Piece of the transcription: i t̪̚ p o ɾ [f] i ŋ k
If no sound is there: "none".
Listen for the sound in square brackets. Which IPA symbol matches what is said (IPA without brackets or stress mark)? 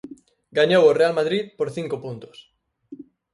θ